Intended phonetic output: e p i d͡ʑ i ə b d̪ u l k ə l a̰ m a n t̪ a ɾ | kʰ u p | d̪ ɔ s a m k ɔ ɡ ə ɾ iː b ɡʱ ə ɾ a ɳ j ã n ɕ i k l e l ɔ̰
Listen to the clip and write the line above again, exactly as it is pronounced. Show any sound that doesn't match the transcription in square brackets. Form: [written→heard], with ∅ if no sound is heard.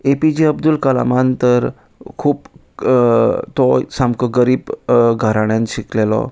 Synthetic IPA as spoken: e p i d͡ʑ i ə b d̪ u l k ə l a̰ m a n t̪ [a→ə] ɾ | kʰ [u→uː] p | [d̪→t̪] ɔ s a m k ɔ ɡ ə ɾ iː b ɡʱ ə ɾ a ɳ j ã n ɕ i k l e l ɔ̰